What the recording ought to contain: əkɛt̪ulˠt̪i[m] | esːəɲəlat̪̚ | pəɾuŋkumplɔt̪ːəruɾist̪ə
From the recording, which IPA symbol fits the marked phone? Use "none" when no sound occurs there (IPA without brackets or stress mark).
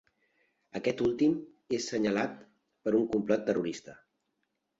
m